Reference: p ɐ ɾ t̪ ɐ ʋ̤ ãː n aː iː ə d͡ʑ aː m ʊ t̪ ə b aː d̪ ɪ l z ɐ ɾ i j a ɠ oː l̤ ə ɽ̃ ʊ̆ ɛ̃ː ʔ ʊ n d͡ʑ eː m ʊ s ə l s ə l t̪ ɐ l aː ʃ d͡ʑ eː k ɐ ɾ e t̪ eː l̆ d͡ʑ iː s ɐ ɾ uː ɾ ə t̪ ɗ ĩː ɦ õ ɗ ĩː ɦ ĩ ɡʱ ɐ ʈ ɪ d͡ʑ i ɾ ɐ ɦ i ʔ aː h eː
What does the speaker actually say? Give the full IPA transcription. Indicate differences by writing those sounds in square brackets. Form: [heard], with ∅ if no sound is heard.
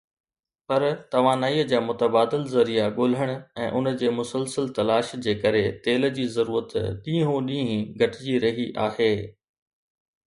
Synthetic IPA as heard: p ɐ ɾ t̪ ɐ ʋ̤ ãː n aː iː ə d͡ʑ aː m ʊ t̪ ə b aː d̪ ɪ l z ɐ ɾ i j a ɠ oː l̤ ə ɽ̃ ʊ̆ ɛ̃ː ʔ ʊ n d͡ʑ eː m ʊ s ə l s ə l t̪ ɐ l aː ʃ d͡ʑ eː k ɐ ɾ e t̪ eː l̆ d͡ʑ iː [z] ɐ ɾ uː ɾ ə t̪ ɗ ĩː ɦ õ ɗ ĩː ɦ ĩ ɡʱ ɐ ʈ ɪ d͡ʑ i ɾ ɐ ɦ i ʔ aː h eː